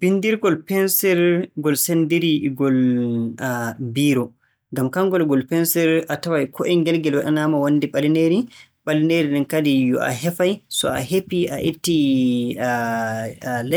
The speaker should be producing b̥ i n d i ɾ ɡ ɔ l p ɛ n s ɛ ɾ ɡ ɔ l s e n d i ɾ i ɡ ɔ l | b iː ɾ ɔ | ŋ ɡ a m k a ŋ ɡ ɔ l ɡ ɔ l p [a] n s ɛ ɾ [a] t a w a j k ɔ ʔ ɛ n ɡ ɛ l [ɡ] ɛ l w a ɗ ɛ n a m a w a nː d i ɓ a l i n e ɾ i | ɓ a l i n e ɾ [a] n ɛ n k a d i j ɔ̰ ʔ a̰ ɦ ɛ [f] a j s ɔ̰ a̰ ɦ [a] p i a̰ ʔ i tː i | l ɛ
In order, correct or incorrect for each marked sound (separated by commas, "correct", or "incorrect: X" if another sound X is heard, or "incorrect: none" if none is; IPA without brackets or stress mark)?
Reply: incorrect: ɛ, correct, correct, incorrect: i, correct, incorrect: e